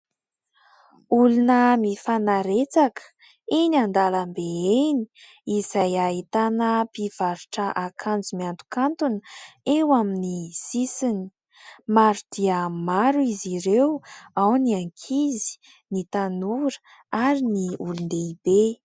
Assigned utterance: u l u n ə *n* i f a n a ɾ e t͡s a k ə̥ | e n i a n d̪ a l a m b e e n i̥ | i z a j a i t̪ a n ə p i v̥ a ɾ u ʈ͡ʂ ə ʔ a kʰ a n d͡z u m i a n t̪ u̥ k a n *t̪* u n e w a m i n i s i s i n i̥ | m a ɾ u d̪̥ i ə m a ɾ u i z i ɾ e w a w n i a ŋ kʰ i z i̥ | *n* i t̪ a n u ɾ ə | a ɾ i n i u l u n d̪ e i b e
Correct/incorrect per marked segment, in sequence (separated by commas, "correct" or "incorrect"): incorrect, correct, correct